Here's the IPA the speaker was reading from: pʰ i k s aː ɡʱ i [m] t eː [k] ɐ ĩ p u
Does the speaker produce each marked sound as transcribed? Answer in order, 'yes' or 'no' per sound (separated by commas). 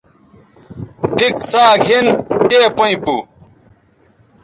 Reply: no, no